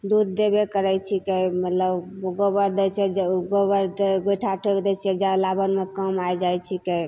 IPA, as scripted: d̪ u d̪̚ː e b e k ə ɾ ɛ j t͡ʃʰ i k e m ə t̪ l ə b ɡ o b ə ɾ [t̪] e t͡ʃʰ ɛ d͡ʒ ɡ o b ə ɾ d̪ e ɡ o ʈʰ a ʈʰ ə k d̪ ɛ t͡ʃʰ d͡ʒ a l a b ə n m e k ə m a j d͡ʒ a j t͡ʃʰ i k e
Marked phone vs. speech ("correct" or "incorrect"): incorrect